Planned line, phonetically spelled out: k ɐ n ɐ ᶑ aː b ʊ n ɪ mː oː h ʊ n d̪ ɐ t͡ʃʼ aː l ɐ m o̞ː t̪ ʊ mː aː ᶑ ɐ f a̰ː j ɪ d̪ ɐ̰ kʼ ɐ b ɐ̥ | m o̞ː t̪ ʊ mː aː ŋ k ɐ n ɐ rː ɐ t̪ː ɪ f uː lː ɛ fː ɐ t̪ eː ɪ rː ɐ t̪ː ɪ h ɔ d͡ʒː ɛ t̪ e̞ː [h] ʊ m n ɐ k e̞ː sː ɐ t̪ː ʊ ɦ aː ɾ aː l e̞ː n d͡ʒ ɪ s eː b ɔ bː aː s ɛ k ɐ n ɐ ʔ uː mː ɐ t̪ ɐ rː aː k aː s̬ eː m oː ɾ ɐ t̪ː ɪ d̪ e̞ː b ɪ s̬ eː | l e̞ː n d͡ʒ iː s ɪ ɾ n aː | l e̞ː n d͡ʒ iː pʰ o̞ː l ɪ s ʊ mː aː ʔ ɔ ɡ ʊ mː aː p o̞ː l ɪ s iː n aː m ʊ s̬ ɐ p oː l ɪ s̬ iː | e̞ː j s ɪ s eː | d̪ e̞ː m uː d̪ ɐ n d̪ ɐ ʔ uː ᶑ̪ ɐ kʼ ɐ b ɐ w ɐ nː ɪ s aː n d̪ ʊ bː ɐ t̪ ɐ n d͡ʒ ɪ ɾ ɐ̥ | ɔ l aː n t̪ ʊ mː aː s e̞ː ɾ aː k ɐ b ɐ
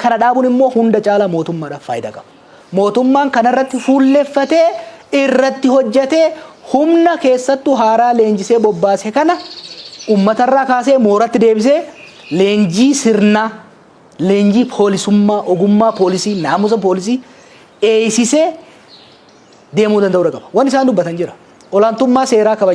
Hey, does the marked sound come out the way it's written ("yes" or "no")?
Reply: yes